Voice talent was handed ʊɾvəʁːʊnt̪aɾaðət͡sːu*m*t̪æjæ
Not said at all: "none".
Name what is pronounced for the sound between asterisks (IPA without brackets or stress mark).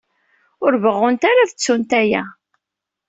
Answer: n